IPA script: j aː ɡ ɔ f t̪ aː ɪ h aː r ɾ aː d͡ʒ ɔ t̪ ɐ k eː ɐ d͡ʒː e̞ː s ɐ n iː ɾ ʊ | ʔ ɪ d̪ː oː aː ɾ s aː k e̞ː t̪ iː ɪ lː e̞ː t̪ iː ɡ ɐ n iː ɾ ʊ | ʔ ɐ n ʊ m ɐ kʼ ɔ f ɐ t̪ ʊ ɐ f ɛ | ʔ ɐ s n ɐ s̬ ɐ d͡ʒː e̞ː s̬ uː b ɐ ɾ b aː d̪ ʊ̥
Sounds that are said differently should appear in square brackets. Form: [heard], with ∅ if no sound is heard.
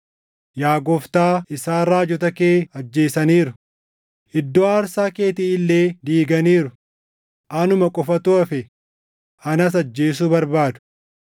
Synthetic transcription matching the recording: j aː ɡ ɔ f t̪ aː ɪ [s] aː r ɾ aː d͡ʒ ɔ t̪ ɐ k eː ɐ d͡ʒː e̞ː s ɐ n iː ɾ ʊ | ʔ ɪ d̪ː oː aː ɾ s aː k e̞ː t̪ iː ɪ lː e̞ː [d̪] iː ɡ ɐ n iː ɾ ʊ | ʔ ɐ n ʊ m ɐ kʼ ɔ f ɐ t̪ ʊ ɐ f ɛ | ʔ ɐ [∅] n ɐ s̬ ɐ d͡ʒː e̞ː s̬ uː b ɐ ɾ b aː d̪ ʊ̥